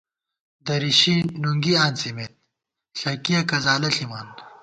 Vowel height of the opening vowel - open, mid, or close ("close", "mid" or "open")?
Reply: open